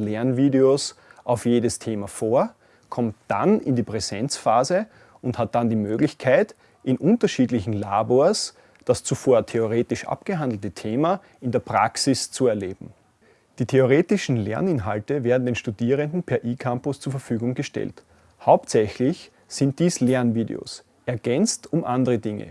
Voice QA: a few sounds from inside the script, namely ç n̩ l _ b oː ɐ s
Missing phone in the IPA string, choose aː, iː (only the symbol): aː